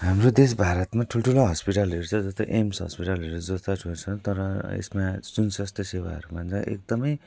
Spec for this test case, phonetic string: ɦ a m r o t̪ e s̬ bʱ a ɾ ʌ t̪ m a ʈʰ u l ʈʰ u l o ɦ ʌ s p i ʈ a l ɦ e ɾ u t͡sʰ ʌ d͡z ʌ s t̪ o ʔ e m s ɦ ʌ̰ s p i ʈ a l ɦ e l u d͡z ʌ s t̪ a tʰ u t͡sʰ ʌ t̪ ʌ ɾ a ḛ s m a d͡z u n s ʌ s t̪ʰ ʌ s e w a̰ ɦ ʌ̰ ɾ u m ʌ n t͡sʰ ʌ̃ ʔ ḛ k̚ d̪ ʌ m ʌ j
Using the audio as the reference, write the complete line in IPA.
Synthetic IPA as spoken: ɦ a m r o d̪ e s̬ bʱ a ɾ ʌ t̪ m a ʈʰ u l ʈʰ u l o ɦ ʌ s p i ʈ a l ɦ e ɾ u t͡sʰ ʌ d͡z ʌ s t̪ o ʔ e m s ɦ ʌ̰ s p i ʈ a l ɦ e ɾ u d͡z ʌ s t̪ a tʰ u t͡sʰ ʌ t̪ ʌ ɾ ʌ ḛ s m a d͡z u n s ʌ s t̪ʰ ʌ s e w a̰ ɦ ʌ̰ ɾ u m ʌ n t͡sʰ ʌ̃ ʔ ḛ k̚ d̪ ʌ m ʌ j

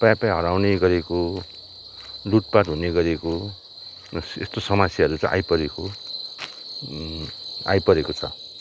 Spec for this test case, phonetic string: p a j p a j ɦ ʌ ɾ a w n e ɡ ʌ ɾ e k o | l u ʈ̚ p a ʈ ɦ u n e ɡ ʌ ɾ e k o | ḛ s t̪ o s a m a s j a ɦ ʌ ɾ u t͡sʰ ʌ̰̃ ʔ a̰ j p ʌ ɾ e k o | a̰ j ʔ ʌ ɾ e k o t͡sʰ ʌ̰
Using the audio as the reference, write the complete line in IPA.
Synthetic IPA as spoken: p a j p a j ɦ ʌ ɾ a w n e ɡ ʌ ɾ e k o | l u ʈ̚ p a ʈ ɦ u n e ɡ ʌ ɾ e k o | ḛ s t̪ o s ʌ m a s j a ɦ ʌ ɾ u t͡s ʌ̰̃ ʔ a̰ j p ʌ ɾ e k o | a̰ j p ʌ ɾ e k o t͡sʰ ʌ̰

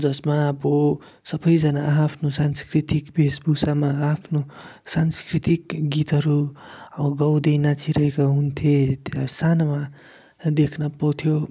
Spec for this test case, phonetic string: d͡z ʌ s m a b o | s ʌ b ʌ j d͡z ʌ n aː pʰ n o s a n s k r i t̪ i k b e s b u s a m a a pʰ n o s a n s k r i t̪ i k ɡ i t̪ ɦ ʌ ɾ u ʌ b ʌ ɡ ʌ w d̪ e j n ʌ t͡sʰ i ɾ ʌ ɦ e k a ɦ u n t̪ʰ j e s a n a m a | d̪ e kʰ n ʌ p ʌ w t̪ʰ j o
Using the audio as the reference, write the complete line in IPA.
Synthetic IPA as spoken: d͡z ʌ s m a b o | s ʌ b ʌ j d͡z ʌ n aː pʰ n o s a n s k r i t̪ i k b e s b u s a m a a pʰ n o s a n s k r i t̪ i k ɡ i t̪ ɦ ʌ ɾ u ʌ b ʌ ɡ ʌ w d̪ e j n a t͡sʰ i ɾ ʌ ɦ e k a ɦ u n t̪ʰ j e s a n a m a | d̪ e kʰ n ʌ p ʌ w t̪ʰ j o

